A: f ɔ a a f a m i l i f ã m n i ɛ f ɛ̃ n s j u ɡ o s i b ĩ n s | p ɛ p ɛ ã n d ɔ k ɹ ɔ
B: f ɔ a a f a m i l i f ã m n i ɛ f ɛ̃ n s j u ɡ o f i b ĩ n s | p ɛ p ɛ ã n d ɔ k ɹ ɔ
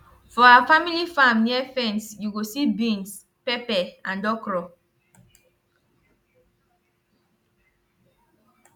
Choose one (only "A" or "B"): A